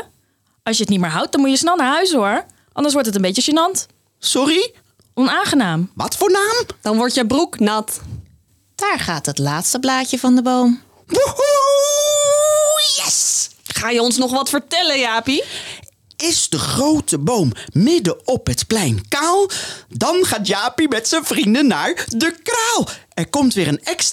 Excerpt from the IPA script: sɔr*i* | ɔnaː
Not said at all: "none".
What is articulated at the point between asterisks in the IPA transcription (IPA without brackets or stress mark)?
i